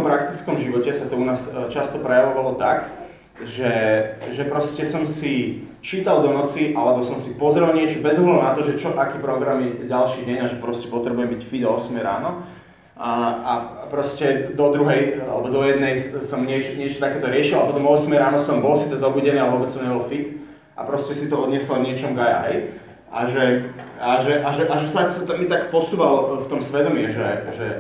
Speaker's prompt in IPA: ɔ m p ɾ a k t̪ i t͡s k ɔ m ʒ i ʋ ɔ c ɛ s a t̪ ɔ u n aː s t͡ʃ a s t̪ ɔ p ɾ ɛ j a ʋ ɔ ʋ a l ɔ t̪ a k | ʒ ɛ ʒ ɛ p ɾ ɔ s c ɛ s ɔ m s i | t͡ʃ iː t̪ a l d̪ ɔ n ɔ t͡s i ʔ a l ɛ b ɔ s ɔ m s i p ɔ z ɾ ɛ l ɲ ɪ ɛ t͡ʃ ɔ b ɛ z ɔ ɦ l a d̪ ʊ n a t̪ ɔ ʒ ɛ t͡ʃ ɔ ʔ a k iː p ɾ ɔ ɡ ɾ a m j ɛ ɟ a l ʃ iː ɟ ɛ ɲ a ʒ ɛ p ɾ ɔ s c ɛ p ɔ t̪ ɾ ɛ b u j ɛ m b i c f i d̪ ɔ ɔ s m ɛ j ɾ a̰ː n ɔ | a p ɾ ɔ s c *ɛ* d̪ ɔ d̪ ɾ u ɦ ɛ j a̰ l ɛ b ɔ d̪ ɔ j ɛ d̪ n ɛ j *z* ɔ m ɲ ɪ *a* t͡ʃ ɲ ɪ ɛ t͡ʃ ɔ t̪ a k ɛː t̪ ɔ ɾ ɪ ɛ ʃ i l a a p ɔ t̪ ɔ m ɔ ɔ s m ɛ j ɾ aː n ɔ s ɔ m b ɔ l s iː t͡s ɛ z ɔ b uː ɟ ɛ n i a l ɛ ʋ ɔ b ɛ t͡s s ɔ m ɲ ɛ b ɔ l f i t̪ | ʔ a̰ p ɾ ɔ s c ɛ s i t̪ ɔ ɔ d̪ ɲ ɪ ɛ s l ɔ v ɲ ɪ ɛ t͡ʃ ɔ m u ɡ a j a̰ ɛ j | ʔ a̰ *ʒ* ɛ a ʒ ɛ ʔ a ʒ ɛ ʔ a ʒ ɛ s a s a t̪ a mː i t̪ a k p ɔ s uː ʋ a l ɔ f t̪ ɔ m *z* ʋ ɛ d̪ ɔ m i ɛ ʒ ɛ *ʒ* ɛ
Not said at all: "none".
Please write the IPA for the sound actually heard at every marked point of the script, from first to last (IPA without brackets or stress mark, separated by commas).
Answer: ɛ, s, ɛ, ʒ, s, ʒ